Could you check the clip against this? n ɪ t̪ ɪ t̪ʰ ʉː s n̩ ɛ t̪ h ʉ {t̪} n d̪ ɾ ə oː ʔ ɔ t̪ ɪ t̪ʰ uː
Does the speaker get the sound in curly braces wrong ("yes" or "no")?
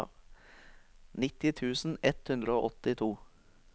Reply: yes